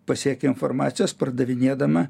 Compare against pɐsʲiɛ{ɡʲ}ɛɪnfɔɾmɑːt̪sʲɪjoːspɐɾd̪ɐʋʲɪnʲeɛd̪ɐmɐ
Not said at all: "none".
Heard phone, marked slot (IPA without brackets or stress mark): kʲ